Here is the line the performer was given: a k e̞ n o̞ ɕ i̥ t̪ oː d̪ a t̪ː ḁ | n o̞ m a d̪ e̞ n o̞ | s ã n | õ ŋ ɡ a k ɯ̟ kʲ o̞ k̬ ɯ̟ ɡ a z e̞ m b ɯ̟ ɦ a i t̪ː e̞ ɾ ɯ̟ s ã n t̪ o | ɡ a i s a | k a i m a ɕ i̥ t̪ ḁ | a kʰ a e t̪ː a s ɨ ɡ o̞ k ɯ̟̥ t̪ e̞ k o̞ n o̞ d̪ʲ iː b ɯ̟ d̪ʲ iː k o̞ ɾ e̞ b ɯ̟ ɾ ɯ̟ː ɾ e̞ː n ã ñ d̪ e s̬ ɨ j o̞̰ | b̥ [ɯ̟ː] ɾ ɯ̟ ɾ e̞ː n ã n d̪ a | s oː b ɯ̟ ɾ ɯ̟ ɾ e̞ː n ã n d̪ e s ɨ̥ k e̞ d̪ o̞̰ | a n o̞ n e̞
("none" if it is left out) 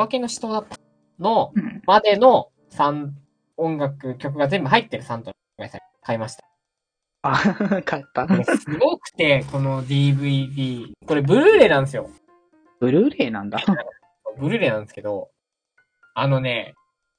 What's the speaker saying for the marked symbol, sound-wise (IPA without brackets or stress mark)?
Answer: ɯ̟